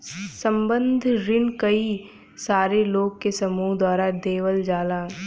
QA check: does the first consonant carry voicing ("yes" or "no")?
no